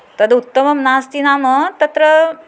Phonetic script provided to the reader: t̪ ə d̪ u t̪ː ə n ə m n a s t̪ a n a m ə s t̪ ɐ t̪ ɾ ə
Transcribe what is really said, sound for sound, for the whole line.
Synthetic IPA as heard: t̪ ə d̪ u t̪ː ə m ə m n a s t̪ i n a m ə t̪ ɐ t̪ ɾ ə